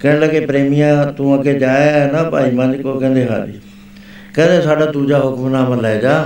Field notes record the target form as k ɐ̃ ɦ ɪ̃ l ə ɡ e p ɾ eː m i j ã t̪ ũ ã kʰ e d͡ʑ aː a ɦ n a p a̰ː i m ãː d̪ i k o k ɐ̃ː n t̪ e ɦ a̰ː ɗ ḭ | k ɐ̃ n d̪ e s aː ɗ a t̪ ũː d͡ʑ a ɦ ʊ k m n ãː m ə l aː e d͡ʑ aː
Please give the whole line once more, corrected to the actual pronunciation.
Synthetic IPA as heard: k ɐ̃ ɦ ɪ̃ l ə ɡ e p ɾ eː m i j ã t̪ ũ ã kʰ e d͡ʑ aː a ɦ n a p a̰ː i m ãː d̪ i k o k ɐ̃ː n d̪ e ɦ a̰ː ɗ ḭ | k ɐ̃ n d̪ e s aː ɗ a t̪ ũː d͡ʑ a ɦ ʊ k m n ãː m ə l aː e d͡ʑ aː